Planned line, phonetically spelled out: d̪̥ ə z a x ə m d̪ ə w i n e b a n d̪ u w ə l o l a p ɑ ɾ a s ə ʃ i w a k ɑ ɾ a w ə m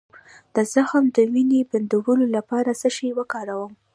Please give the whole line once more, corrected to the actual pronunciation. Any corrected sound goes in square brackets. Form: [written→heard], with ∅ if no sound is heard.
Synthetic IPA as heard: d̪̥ ə z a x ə m d̪ ə w i n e b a n d̪ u w ə l o l a p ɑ ɾ a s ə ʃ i w [a→ə] k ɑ ɾ a w ə m